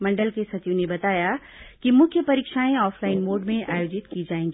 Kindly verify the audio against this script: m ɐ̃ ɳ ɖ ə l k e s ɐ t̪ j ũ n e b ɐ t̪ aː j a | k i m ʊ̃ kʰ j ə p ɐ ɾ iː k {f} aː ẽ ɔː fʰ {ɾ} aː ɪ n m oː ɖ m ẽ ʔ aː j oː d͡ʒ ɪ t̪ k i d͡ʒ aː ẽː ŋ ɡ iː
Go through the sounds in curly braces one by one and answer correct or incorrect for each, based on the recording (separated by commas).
incorrect, incorrect